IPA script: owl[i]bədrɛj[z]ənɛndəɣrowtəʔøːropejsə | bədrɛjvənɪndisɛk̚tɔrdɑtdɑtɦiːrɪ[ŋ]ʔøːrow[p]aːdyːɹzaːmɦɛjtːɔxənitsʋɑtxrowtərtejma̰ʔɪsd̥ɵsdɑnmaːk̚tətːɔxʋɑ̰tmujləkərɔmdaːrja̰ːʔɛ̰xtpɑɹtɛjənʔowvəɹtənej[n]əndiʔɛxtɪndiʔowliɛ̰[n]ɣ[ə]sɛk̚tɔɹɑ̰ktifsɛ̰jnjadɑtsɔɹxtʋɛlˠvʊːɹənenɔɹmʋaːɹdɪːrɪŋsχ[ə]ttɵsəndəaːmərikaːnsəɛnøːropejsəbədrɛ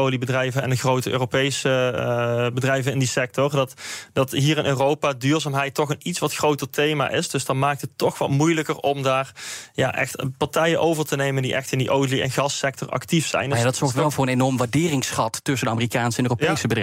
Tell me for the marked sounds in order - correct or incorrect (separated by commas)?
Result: correct, incorrect, incorrect, correct, incorrect, correct, incorrect, incorrect